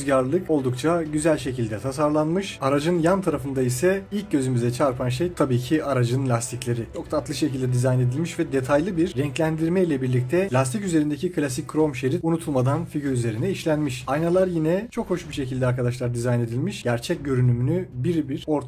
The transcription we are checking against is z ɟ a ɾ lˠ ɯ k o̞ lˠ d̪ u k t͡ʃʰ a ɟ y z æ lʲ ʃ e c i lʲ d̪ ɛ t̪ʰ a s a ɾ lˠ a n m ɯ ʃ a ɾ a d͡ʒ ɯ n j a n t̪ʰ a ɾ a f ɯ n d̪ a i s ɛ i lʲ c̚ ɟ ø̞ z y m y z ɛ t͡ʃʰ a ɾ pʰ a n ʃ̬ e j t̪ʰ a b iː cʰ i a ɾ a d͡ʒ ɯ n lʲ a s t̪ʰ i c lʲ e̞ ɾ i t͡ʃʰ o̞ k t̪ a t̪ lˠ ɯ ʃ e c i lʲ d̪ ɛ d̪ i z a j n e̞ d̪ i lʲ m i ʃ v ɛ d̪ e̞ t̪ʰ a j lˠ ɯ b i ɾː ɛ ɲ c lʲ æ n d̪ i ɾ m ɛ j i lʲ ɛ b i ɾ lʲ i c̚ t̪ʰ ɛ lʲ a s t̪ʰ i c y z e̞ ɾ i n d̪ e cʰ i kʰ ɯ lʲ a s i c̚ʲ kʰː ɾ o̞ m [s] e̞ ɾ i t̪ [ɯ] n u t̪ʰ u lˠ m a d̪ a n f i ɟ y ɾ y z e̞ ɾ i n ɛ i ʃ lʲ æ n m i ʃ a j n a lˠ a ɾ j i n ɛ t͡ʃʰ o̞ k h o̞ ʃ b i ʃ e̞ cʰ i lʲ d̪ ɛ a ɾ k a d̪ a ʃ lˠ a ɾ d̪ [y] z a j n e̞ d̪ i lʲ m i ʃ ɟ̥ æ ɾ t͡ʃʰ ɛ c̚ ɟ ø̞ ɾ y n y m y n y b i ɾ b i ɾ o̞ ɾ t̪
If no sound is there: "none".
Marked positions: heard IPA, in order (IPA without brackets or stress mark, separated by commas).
ʃ, u, i